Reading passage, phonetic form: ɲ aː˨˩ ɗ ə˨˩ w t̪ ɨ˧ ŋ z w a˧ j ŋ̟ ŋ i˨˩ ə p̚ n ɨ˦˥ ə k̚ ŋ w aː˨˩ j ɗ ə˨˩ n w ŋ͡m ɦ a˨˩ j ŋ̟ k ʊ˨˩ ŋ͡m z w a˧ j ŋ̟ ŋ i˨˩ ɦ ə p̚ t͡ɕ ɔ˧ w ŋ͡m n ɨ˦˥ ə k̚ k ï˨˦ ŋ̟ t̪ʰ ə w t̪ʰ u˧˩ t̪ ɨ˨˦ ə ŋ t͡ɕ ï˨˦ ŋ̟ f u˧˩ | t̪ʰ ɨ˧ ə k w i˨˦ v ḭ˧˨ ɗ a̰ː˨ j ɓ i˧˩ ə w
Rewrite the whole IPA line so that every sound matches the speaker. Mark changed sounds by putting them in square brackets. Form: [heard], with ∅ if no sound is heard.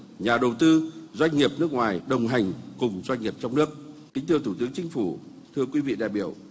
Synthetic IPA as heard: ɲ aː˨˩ ɗ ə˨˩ w t̪ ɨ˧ [∅] z w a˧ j ŋ̟ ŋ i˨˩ ə p̚ n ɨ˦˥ ə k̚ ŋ w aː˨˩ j ɗ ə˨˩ [∅] w ŋ͡m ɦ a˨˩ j ŋ̟ k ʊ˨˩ ŋ͡m z w a˧ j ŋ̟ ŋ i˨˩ [∅] ə p̚ t͡ɕ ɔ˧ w ŋ͡m n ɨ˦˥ ə k̚ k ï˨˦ ŋ̟ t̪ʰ ə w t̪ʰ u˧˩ t̪ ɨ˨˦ ə ŋ t͡ɕ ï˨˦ ŋ̟ f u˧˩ | t̪ʰ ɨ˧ ə k w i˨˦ v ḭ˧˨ ɗ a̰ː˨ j ɓ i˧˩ ə w